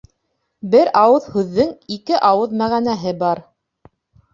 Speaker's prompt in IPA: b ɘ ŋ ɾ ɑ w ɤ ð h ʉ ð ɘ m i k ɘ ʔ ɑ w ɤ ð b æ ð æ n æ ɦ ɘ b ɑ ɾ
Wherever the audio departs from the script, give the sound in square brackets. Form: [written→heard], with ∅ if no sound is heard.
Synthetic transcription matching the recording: b ɘ [ŋ→∅] ɾ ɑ w ɤ ð h ʉ [ð→ðː] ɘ [m→ŋ] i k ɘ ʔ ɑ w ɤ ð [b→m] æ [ð→ʁ] æ n æ ɦ ɘ b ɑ ɾ